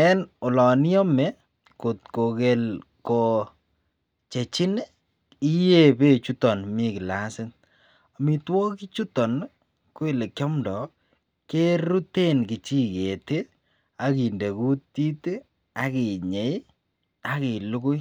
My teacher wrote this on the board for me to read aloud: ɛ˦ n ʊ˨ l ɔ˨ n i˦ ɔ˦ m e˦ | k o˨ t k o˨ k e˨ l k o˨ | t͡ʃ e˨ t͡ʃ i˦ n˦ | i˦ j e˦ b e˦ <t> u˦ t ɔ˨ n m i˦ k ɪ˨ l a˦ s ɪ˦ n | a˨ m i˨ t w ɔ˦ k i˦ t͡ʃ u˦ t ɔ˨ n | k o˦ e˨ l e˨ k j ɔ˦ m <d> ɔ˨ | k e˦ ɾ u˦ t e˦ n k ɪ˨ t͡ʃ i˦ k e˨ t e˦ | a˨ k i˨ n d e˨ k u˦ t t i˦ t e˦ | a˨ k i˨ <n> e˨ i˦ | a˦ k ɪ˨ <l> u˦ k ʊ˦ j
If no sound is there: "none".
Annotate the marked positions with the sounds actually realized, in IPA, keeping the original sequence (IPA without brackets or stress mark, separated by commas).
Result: t͡ʃ, d, ɲ, l